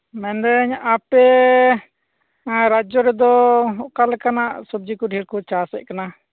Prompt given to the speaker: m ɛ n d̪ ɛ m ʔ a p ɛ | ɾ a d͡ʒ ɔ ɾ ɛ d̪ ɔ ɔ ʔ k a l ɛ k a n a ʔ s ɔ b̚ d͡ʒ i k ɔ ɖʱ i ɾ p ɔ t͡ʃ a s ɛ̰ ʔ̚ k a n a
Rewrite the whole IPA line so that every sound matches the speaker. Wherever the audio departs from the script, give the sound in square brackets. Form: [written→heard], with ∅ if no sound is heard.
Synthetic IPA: m ɛ n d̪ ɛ [m→ɲ] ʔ a p ɛ | ɾ a d͡ʒ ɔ ɾ ɛ d̪ ɔ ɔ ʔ k a l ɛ k a n a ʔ s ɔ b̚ d͡ʒ i k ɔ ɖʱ i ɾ [p→k] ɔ t͡ʃ a s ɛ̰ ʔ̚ k a n a